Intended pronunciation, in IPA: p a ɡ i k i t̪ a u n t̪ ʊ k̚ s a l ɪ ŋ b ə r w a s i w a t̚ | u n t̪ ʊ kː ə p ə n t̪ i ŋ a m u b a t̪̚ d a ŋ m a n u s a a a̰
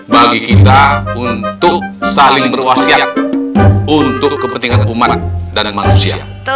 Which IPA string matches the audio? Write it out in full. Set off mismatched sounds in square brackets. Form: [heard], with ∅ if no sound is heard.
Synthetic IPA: [b] a ɡ i k i t̪ a u n t̪ ʊ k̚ s a l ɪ ŋ b ə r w a s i [∅] a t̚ | u n t̪ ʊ kː ə p ə n t̪ i ŋ a [n] u [m] a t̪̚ d a [n] m a n u s [i] a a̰